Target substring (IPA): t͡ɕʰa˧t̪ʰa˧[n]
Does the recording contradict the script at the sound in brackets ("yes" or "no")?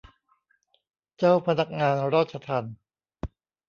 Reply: no